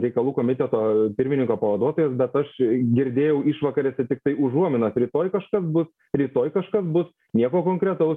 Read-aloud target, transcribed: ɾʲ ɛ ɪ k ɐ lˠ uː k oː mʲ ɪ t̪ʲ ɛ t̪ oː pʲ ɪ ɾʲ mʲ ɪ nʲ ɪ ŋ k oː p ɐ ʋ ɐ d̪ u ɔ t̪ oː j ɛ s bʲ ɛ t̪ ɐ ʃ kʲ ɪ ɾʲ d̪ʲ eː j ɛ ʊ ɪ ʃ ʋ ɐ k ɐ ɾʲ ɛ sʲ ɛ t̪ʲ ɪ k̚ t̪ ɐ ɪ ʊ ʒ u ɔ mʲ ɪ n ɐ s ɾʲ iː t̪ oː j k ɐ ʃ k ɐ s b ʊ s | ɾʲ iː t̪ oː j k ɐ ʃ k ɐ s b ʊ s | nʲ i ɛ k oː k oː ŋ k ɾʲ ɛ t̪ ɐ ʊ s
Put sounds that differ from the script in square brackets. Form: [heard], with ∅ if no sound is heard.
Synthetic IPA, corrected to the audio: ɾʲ ɛ ɪ k ɐ lˠ uː k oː mʲ ɪ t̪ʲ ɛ t̪ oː pʲ ɪ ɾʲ mʲ ɪ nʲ ɪ ŋ k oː p ɐ ʋ ɐ d̪ u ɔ t̪ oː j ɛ s bʲ ɛ t̪ ɐ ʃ [ɡʲ] ɪ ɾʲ d̪ʲ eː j ɛ ʊ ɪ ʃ ʋ ɐ k ɐ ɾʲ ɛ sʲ ɛ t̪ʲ ɪ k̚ t̪ ɐ ɪ ʊ ʒ u ɔ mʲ ɪ n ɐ s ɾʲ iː t̪ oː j k ɐ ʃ k ɐ s b ʊ s | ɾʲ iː t̪ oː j k ɐ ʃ k ɐ s b ʊ s | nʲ i ɛ k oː k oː ŋ k ɾʲ ɛ t̪ ɐ ʊ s